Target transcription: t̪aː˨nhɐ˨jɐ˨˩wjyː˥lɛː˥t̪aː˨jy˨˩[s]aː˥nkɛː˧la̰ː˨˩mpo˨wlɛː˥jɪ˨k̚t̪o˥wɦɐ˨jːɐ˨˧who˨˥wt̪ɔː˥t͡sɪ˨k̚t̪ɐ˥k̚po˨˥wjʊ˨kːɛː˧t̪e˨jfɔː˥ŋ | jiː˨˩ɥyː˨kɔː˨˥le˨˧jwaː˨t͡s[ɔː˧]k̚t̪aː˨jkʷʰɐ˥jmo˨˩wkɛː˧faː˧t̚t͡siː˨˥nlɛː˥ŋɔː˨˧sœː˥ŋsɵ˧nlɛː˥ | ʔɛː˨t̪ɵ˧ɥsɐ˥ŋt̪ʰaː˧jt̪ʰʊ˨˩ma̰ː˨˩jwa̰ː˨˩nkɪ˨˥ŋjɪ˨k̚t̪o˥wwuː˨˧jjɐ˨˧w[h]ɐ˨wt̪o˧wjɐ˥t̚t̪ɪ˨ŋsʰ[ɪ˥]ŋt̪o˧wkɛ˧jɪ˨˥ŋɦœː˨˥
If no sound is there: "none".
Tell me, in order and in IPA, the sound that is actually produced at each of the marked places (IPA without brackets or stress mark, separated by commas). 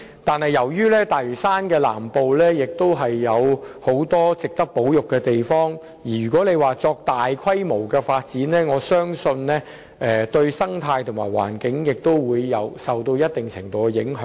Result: s, ɔː˧, s, ɪ˨˩